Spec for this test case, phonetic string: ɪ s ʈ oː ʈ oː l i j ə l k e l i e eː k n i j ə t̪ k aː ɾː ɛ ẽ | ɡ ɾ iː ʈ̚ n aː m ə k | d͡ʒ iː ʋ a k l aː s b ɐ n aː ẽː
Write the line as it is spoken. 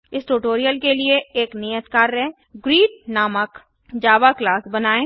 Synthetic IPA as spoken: ɪ s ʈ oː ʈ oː ɾ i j ə l k e l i e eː k n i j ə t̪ k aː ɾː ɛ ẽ | ɡ ɾ iː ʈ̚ n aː m ə k | d͡ʒ aː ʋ a k l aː s b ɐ n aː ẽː

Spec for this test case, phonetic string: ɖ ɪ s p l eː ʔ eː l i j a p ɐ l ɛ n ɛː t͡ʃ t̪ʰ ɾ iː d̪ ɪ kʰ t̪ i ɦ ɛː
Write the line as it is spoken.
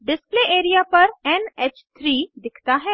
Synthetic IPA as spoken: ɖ ɪ s p l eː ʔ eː ɾ i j a p ɐ ɾ ɛ n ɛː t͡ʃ t̪ʰ ɾ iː d̪ ɪ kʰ t̪ a ɦ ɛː

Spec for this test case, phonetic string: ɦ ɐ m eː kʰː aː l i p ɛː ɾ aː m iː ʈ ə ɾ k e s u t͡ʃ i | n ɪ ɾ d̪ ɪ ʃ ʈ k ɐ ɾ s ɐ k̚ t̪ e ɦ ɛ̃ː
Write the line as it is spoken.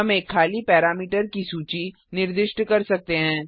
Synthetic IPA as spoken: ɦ ɐ m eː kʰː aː l i p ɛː ɾ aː m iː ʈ ə ɾ k i s uː t͡ʃ i | n ɪ ɾ d̪ ɪ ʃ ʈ k ɐ ɾ s ɐ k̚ t̪ e ɦ ɛ̃ː

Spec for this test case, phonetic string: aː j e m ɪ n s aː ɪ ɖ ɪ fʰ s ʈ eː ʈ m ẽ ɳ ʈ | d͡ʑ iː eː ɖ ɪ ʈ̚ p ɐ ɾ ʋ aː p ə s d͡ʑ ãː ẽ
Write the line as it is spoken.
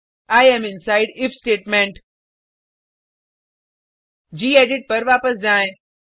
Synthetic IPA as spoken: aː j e m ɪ n s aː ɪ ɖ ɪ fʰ s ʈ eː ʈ m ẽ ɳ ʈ | d͡ʑ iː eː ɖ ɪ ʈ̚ p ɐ ɾ ʋ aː p ə s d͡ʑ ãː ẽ

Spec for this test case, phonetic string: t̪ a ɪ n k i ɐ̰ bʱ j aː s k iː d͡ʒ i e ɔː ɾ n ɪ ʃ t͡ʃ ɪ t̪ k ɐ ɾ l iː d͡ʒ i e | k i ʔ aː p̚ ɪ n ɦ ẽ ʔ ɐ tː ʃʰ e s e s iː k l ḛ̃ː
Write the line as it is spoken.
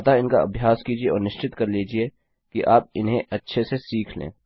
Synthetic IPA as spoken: t̪ a ɪ n k a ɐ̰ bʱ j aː s k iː d͡ʒ i e ɔː ɾ n ɪ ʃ t͡ʃ ɪ t̪ k ɐ ɾ l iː d͡ʒ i e | k i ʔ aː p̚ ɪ n ɦ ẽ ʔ ɐ tː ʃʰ e s e s iː kʰ l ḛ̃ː

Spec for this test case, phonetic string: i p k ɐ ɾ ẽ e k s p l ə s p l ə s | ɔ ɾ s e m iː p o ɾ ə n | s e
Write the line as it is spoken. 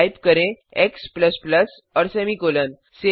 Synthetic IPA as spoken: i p k ə ɾ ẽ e k s p l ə s p l ə s | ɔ ɾ s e m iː k o l ə n | s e

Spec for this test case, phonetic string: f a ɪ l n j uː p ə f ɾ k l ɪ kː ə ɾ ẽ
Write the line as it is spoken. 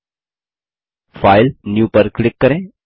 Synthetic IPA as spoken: f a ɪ l n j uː p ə ɾ k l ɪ kː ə ɾ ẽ

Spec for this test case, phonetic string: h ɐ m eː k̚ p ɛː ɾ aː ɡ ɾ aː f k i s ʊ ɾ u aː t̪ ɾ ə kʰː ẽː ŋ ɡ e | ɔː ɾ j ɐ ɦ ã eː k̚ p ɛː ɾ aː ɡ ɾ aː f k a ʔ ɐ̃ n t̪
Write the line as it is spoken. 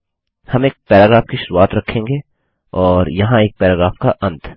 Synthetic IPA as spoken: h ɐ m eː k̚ p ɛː ɾ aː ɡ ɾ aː f k i ʃ ʊ ɾ u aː t̪ ɾ ɐ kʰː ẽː ŋ ɡ e | ɔː ɾ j ɐ ɦ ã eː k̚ p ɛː ɾ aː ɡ ɾ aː f k a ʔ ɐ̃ n t̪

